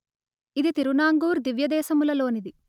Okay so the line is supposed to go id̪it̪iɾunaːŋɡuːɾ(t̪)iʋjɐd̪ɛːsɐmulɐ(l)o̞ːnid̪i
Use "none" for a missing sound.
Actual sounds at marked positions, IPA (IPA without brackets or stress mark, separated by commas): d̪, l